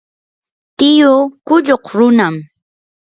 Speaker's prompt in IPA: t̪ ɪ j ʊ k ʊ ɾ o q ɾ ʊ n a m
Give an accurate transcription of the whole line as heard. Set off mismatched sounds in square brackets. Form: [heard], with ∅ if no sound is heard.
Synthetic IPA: t̪ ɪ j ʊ k ʊ [ʎ] o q ɾ ʊ n a m